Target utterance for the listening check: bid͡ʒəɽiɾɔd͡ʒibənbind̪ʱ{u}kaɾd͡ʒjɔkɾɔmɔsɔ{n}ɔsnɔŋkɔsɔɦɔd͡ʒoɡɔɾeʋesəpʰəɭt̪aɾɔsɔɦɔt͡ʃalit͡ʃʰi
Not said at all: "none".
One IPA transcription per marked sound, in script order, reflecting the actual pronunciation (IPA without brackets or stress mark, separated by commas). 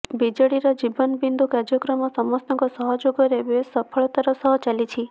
u, m